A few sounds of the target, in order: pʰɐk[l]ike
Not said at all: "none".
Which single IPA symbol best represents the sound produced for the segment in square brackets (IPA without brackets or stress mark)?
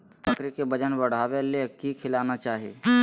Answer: ɾ